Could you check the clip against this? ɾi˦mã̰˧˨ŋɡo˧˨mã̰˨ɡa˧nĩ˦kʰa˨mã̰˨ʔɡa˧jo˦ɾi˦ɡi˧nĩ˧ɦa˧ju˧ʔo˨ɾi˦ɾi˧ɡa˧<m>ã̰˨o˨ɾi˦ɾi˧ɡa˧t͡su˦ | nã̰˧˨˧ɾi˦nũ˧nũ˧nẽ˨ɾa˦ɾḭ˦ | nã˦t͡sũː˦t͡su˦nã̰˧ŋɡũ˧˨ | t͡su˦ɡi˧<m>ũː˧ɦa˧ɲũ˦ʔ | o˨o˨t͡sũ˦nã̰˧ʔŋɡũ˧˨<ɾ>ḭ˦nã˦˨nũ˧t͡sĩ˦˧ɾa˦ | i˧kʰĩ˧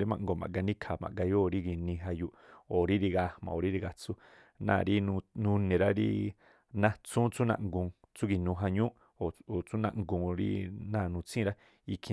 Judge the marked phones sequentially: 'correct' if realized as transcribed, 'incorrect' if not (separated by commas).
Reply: correct, incorrect, correct